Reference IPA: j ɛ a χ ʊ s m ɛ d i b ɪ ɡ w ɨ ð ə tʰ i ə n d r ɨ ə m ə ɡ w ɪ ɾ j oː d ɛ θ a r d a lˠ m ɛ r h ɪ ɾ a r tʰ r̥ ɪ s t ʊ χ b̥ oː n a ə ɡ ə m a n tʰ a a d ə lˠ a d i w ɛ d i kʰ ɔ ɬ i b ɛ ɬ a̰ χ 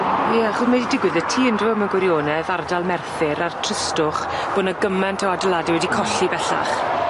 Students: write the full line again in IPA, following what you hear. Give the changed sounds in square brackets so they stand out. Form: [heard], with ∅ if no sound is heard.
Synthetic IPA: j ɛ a χ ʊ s m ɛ d i [d] ɪ ɡ w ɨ ð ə tʰ [iː] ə n d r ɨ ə m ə ɡ w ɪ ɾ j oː [n] ɛ [ð] a r d a lˠ m ɛ r [θ] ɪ ɾ a r tʰ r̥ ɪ s t ʊ χ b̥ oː n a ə ɡ ə m a n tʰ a a d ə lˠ a d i w ɛ d i kʰ ɔ ɬ i b ɛ ɬ a̰ χ

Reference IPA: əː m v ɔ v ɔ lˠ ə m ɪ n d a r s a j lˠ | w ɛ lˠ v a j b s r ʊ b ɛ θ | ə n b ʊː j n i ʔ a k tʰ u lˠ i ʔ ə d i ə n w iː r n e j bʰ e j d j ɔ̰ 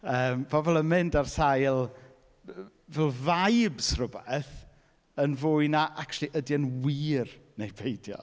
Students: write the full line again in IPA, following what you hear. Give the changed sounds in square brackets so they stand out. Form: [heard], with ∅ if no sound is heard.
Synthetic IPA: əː m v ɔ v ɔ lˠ ə m ɪ n d a r s a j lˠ | [v] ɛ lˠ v a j b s r ʊ b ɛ θ | ə n [v] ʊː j n [a] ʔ a k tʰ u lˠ i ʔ ə d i ə n w iː r n e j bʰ e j d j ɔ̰

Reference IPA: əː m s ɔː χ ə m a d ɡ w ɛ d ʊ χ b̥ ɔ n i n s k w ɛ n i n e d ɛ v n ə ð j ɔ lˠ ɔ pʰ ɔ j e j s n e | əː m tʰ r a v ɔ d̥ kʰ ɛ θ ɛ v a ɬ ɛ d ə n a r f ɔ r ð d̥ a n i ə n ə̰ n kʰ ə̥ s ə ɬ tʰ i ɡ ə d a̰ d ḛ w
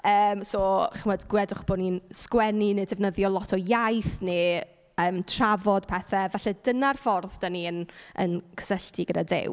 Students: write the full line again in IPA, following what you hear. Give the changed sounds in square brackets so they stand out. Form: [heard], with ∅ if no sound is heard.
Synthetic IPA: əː m s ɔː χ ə m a d ɡ w ɛ d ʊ χ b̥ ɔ n i n s k w ɛ n i n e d ɛ v n ə ð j ɔ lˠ ɔ [tʰ] ɔ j [a] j [θ] n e | əː m tʰ r a v ɔ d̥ [pʰ] ɛ θ ɛ v a ɬ ɛ d ə n a r f ɔ r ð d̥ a n i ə n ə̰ n kʰ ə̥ s ə ɬ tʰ i ɡ ə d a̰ d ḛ w

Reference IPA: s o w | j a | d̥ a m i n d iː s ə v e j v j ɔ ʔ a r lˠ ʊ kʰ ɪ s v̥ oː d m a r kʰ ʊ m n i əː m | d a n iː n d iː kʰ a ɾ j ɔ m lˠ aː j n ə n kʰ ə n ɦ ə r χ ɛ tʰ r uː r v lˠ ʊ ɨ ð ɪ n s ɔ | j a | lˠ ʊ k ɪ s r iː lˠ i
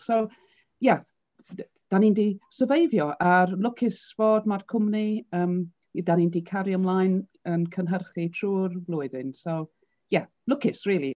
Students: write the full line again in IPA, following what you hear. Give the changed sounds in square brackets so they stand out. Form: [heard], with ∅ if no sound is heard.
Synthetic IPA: s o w | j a | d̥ a [n] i n d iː s ə v e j v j ɔ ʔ a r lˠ ʊ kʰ ɪ s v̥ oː d m a r kʰ ʊ m n i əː m | d a n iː n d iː kʰ a ɾ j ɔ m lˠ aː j n ə n kʰ ə n ɦ ə r χ [i] tʰ r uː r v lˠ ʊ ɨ ð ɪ n s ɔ | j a | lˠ ʊ k ɪ s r iː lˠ i

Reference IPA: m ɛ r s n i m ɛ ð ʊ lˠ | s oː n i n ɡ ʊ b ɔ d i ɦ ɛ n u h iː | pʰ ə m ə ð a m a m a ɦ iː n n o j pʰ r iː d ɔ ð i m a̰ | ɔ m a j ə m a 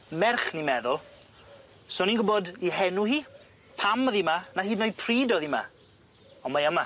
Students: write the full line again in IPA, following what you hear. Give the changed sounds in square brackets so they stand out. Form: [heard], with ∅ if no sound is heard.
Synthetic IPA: m ɛ r [χ] n i m ɛ ð ʊ lˠ | s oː n i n ɡ ʊ b ɔ d i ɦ ɛ n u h iː | pʰ [a] m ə ð [i] m a [n] a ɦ iː [d] n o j pʰ r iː d ɔ ð i m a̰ | ɔ m a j ə m a

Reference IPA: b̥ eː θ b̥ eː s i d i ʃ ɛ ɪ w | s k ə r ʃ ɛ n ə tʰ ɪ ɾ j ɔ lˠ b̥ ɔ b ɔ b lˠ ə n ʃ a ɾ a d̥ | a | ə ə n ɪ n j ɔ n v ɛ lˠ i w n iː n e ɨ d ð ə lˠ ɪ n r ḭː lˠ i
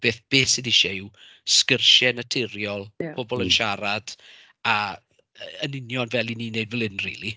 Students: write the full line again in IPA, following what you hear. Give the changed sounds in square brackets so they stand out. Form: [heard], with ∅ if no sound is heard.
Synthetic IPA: b̥ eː θ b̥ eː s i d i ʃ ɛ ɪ w | s k ə r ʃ ɛ n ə tʰ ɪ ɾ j ɔ lˠ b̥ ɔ b ɔ [∅] lˠ ə n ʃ a ɾ a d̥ | a | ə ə n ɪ n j ɔ n v ɛ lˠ i [∅] n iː n e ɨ d [v] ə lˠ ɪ n r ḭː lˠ i

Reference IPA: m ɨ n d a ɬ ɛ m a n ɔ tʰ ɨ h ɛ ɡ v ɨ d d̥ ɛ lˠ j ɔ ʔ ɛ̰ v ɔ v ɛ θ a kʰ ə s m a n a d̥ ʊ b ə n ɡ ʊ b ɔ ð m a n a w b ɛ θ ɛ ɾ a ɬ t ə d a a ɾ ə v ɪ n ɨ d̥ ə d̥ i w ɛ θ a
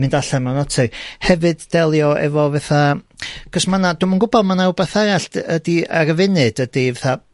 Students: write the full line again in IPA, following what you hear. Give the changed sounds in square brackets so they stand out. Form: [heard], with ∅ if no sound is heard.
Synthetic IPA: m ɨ n d a ɬ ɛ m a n ɔ tʰ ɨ h ɛ [∅] v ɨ d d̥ ɛ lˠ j ɔ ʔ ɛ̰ v ɔ v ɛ θ a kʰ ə s m a n a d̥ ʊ [m] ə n ɡ ʊ b ɔ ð m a n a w b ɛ θ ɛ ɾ a ɬ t ə d [i] a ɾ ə v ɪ n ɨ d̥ ə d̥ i [v] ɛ θ a

